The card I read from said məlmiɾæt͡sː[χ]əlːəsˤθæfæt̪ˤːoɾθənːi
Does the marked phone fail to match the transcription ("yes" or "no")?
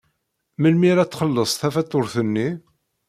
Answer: no